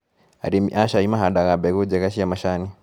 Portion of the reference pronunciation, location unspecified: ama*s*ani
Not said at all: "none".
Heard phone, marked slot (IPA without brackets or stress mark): ʃ